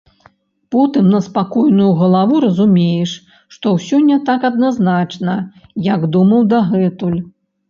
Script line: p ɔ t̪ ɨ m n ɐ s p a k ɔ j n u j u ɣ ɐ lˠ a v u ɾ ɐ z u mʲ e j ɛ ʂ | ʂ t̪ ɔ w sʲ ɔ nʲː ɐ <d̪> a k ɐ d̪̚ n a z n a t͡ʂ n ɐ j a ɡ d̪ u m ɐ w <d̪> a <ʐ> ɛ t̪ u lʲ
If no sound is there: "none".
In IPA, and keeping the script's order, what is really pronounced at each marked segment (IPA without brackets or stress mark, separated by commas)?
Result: t̪, d̪, ɣ